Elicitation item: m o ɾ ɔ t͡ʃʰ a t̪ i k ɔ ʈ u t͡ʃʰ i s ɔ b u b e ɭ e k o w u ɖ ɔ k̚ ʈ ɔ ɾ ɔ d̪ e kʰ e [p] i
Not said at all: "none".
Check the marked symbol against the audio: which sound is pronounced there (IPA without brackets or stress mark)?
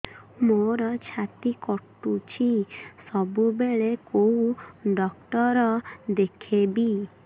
b